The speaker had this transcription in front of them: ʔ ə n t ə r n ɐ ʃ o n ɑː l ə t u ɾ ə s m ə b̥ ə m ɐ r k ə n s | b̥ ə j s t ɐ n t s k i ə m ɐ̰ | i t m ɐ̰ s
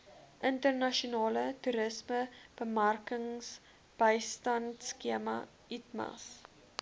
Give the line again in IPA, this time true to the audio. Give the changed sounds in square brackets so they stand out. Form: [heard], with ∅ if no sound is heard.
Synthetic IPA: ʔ ə n t ə r n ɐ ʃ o n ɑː l ə t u ɾ ə s m ə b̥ ə m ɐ r k ə [ŋ] s | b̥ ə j s t ɐ n t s k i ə m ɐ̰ | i t m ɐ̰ s